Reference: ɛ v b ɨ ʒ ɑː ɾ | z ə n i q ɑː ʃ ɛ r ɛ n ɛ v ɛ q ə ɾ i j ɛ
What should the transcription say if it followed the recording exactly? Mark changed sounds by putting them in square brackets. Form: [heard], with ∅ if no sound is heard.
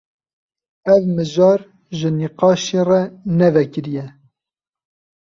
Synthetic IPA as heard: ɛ v [m] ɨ ʒ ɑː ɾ | [ʒ] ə n i q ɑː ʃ [e] r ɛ n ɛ v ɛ [k] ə ɾ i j ɛ